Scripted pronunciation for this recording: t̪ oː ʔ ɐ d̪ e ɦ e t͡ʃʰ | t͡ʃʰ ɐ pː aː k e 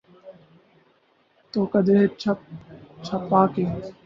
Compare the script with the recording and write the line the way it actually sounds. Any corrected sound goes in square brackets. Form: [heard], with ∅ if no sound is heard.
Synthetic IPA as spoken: t̪ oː [k] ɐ d̪ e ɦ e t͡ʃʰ | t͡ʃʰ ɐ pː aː k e